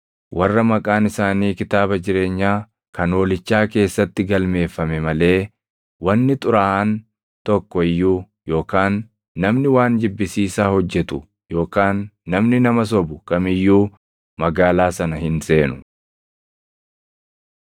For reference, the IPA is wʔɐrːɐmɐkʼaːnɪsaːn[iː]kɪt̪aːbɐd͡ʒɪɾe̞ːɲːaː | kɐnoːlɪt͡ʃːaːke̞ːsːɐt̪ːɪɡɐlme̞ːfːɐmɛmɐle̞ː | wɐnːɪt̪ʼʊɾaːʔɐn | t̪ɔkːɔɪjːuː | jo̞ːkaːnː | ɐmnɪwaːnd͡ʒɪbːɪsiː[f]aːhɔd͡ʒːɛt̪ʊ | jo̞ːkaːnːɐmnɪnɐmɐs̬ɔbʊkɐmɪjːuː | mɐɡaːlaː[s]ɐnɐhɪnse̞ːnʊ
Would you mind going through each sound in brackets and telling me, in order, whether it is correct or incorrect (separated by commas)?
correct, incorrect, correct